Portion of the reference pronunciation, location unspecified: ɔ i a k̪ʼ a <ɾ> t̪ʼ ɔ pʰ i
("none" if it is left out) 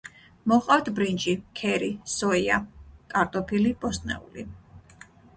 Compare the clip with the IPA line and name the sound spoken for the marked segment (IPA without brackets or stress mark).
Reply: ɾ